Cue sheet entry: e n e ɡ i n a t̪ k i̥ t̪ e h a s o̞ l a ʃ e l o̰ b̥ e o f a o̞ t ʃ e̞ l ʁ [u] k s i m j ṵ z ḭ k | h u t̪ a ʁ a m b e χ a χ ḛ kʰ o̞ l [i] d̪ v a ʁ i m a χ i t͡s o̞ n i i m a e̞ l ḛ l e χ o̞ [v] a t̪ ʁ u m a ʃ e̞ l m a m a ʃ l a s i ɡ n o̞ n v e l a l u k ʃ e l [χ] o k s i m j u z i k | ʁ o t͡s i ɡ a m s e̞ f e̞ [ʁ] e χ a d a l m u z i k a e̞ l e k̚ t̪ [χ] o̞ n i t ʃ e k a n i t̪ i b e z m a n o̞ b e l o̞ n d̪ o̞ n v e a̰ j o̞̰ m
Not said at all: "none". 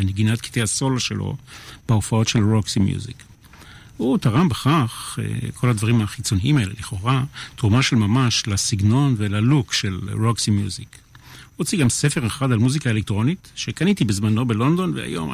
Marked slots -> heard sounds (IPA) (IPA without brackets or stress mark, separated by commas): o, a, ʁ, ʁ, ʁ, ʁ